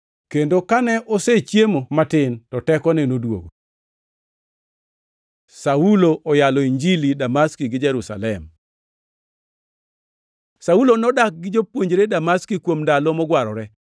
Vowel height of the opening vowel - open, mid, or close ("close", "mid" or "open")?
mid